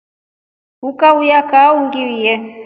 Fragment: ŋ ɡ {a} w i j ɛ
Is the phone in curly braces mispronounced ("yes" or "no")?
yes